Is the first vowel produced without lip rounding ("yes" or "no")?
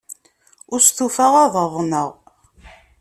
no